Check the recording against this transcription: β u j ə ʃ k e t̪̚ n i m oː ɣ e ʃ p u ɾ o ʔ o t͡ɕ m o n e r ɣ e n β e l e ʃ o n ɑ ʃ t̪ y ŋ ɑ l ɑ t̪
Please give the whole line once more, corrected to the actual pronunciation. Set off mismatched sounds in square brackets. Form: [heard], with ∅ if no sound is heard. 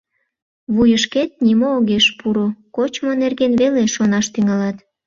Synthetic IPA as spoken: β u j ə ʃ k e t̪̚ n i m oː ɣ e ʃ p u ɾ o [k] o t͡ɕ m o n e r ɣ e n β e l e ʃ o n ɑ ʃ t̪ y ŋ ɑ l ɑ t̪